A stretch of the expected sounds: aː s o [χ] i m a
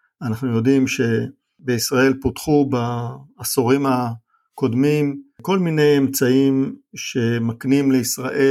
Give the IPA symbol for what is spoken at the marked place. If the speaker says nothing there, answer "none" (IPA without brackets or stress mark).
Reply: ʁ